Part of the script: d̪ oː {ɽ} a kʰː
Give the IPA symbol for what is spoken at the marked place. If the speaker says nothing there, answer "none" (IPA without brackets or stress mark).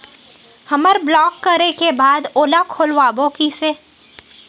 l